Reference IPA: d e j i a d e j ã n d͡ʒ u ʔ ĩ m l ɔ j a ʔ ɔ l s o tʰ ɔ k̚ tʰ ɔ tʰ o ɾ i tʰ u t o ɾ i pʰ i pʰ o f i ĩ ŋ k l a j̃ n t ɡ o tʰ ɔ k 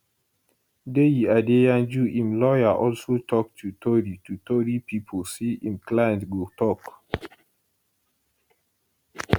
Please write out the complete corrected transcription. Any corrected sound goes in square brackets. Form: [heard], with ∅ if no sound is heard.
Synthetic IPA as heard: d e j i a d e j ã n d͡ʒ u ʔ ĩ m l ɔ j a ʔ ɔ l s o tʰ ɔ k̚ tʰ [u] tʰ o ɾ i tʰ u t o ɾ i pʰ i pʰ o [s] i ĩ [m] k l a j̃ n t ɡ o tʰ ɔ k